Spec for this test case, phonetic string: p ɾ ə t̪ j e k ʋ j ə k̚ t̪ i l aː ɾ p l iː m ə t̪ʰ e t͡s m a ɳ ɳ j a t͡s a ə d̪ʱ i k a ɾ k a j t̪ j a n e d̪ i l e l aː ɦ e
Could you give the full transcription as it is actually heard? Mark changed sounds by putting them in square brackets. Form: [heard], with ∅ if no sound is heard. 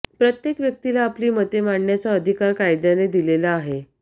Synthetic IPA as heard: p ɾ ə t̪ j e k ʋ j ə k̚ t̪ i l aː [∅] p l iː m ə [t̪] e [∅] m a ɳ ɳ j a t͡s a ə d̪ʱ i k a ɾ k a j [d̪] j a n e d̪ i l e l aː ɦ e